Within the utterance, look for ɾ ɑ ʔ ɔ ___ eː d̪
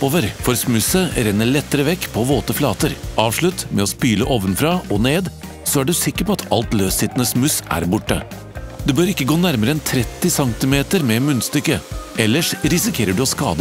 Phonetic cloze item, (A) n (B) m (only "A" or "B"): A